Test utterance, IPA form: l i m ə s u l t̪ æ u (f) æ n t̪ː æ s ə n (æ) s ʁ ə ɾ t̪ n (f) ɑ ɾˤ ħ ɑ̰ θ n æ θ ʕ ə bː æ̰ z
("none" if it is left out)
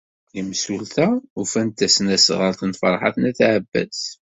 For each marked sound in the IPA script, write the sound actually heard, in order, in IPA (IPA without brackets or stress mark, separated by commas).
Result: f, æ, f